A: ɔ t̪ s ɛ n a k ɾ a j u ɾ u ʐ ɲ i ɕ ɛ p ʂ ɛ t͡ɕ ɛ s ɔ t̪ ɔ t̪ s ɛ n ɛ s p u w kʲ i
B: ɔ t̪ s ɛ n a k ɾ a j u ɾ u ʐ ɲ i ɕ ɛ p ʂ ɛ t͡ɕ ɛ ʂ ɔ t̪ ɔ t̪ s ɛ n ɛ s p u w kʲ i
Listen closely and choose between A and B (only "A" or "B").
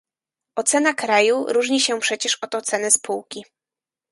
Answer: B